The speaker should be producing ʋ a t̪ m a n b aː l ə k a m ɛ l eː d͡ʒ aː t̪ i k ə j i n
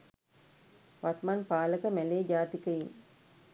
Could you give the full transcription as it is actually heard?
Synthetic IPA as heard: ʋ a t̪ m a n p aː l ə k ə m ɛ l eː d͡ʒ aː t̪ i k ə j i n